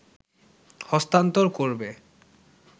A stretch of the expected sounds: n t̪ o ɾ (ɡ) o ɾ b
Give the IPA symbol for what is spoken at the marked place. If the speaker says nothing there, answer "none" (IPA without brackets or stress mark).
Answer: k